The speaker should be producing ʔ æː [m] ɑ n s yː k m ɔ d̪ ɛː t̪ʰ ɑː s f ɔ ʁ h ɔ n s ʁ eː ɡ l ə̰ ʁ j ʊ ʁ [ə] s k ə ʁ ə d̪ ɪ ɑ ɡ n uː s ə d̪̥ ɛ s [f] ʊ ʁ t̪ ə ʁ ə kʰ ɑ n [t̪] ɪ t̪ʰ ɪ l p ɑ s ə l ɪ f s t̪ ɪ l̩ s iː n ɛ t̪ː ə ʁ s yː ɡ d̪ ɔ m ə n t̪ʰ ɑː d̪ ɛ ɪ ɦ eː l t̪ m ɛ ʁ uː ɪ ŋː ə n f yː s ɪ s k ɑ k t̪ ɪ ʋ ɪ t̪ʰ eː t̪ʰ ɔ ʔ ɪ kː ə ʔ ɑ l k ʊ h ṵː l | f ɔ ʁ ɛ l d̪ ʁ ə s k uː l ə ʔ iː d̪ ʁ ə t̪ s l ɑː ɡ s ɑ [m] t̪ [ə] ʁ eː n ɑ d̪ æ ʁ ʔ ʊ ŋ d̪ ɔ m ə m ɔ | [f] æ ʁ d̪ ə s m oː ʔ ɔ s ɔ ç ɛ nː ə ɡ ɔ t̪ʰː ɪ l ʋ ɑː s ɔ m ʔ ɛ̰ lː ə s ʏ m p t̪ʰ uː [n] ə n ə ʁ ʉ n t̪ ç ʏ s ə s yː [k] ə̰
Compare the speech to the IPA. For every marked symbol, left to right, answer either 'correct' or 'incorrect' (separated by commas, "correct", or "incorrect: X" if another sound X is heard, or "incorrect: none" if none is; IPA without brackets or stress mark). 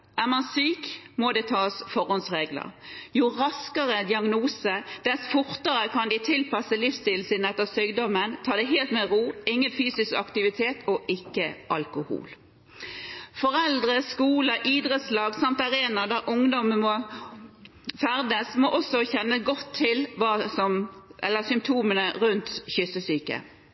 correct, incorrect: ɑ, correct, incorrect: d̪, correct, incorrect: ɑ, correct, incorrect: m, correct